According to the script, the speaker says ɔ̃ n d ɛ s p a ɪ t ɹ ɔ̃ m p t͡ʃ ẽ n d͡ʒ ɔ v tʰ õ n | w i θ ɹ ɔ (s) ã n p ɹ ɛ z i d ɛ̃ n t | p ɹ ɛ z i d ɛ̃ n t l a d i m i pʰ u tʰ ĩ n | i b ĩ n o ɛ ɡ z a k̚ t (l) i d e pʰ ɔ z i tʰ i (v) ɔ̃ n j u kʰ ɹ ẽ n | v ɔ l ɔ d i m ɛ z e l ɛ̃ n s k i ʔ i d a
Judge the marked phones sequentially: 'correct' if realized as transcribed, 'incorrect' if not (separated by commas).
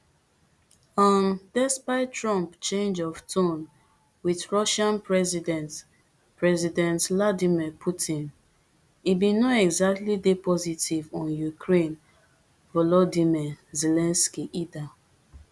incorrect, correct, correct